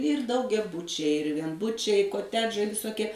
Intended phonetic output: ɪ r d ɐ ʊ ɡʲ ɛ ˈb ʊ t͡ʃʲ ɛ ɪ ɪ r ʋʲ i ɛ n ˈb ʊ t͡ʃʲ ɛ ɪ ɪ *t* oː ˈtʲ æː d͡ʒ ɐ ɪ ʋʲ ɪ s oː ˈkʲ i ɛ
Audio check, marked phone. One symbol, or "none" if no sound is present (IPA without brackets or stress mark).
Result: k